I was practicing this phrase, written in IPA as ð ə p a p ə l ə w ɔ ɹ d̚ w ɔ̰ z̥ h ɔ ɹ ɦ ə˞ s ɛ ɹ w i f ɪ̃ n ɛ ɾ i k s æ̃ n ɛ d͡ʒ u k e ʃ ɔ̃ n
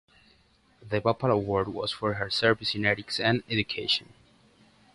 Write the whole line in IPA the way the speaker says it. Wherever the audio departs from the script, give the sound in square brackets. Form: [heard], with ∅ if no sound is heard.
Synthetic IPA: ð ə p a p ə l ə w ɔ ɹ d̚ w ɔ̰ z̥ [f] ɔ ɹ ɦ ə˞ s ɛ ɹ [v] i [s] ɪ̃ n ɛ ɾ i k s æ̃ n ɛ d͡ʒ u [kʰ] e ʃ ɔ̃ n